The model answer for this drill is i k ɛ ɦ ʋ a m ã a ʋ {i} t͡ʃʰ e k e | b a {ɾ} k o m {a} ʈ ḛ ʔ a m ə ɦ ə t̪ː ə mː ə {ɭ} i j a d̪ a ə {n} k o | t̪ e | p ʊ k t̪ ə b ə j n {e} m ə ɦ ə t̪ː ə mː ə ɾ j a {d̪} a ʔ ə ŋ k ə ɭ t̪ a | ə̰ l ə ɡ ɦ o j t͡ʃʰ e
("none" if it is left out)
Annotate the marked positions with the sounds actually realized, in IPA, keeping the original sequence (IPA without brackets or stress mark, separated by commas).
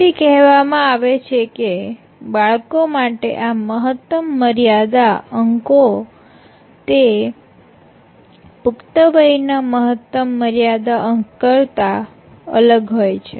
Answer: e, ɭ, a, ɾ, ŋ, a, d̪